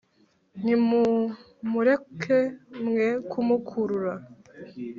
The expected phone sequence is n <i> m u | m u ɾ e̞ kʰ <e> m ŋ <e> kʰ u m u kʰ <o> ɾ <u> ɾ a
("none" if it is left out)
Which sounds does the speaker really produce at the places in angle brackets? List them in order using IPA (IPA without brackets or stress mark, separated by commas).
i, e, e, u, u